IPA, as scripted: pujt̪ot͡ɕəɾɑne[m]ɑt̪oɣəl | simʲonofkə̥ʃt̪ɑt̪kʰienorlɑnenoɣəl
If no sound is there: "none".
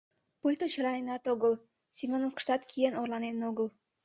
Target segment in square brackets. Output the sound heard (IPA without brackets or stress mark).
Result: n